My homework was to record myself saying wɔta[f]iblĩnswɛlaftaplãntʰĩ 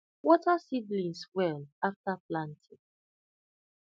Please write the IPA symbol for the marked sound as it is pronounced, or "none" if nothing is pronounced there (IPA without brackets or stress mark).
s